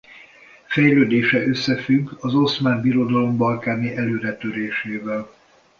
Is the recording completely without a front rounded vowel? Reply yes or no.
no